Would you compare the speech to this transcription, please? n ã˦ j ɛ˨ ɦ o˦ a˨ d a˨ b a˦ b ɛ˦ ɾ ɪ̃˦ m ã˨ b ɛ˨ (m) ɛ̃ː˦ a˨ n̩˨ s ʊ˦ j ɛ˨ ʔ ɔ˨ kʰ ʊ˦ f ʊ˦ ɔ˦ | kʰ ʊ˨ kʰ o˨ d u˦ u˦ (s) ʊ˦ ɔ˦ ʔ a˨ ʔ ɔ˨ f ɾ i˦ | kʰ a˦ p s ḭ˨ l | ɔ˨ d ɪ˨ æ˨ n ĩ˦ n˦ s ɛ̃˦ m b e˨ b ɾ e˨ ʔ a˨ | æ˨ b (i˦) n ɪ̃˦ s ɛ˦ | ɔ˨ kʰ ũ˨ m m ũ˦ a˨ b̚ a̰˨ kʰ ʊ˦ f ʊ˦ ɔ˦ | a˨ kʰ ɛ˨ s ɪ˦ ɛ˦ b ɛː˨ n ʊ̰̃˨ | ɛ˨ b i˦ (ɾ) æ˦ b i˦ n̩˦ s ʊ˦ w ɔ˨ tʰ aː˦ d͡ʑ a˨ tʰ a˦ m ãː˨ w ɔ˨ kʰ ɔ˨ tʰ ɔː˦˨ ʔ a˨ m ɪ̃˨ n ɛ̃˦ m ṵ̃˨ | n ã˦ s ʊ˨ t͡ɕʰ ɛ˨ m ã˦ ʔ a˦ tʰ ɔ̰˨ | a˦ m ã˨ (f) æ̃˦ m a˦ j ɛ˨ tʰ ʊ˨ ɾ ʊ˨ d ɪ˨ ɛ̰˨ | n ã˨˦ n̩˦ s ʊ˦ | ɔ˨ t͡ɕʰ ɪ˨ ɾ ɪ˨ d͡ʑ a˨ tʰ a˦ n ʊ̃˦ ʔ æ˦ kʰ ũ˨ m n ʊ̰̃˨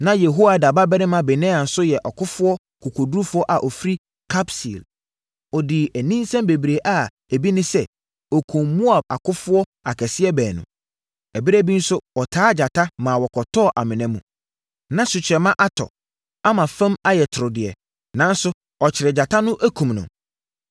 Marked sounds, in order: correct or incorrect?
incorrect, incorrect, correct, correct, correct

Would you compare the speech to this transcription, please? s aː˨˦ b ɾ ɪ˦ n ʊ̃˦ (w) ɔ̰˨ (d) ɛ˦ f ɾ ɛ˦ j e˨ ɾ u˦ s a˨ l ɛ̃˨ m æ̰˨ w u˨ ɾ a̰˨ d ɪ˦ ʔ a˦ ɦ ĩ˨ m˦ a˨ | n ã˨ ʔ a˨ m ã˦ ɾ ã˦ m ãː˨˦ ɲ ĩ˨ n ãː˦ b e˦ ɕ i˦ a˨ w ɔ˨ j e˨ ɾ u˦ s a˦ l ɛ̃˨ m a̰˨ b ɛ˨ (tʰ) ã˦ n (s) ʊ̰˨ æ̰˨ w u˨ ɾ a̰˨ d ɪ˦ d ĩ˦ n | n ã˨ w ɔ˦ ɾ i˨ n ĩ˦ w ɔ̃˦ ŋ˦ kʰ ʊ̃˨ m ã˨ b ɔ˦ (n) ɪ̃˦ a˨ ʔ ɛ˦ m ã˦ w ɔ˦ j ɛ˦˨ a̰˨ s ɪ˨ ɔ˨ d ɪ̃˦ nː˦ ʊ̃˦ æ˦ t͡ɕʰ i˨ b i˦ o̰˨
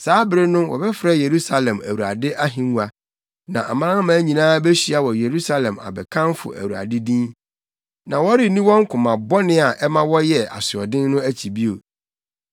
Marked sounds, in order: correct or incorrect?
correct, incorrect, incorrect, incorrect, correct

